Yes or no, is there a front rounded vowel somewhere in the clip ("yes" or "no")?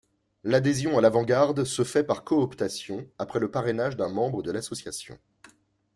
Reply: no